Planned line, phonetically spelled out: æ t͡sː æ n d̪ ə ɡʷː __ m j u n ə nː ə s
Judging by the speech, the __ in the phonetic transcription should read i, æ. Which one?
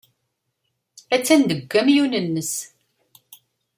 æ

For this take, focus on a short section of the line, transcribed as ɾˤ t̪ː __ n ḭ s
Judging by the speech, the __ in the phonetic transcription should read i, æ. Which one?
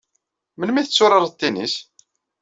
i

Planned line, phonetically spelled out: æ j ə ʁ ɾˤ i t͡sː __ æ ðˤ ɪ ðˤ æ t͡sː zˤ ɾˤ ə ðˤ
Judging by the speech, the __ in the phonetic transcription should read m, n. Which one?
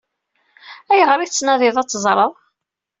n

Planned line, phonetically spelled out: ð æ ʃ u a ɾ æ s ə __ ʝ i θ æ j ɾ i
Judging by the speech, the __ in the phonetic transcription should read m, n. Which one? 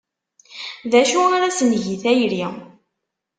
n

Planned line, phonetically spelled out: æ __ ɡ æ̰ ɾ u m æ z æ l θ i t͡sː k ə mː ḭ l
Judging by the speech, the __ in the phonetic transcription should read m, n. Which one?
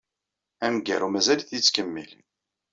m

